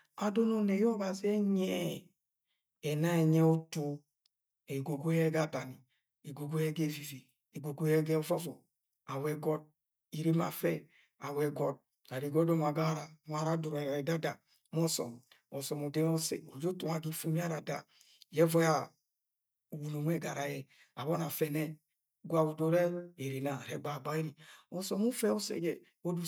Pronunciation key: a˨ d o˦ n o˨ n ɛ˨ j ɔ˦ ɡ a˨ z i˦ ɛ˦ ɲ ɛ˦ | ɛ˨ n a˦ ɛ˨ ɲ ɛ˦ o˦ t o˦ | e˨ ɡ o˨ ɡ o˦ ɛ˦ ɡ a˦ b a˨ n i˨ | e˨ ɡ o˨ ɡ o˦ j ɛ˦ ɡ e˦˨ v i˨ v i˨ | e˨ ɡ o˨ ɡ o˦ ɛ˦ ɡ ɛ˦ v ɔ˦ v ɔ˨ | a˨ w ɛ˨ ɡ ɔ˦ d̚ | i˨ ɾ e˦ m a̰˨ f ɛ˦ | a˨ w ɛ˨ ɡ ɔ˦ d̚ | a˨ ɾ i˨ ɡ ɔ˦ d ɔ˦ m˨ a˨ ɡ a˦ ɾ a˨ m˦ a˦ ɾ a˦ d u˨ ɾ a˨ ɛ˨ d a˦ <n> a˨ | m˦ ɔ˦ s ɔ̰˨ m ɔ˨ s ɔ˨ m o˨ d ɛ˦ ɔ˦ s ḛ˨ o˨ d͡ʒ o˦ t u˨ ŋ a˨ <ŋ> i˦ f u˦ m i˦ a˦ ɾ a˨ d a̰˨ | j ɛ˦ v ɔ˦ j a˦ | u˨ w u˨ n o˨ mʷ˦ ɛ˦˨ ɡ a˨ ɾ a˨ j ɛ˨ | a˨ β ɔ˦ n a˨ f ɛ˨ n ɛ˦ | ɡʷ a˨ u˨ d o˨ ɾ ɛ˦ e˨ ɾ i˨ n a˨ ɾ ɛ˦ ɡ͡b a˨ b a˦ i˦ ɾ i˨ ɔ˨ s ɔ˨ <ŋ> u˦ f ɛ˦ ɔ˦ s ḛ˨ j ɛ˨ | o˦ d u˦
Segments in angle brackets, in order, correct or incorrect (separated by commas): incorrect, incorrect, incorrect